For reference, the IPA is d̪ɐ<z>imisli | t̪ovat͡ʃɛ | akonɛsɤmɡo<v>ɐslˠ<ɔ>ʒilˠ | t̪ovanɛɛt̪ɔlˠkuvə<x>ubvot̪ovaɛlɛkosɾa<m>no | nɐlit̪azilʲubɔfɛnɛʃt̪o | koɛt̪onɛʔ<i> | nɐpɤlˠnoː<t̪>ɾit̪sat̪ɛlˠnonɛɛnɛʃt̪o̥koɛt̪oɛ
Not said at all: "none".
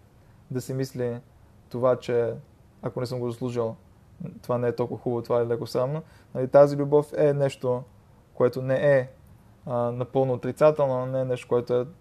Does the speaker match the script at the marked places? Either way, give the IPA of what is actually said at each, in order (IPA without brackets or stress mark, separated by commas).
s, z, u, x, m, ɛ, t̪